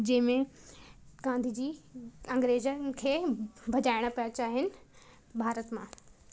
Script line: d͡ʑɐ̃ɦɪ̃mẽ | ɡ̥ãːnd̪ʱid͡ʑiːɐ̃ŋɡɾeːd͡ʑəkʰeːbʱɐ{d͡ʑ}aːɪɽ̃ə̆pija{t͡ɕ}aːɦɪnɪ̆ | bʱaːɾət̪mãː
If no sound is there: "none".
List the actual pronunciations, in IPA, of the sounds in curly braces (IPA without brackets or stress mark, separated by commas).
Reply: d͡ʑ, t͡ɕ